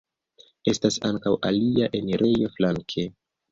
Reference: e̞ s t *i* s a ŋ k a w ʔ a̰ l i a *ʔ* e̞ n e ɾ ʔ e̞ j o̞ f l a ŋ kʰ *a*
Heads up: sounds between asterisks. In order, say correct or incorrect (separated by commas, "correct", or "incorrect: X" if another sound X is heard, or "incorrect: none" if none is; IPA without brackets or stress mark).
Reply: incorrect: a, correct, incorrect: e